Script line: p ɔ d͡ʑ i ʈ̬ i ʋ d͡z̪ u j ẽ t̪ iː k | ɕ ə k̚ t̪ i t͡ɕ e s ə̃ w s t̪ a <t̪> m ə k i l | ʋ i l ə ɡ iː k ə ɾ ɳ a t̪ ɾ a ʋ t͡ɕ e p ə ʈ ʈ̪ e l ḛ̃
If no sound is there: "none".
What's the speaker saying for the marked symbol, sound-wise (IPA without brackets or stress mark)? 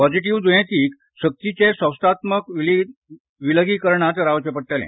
t̪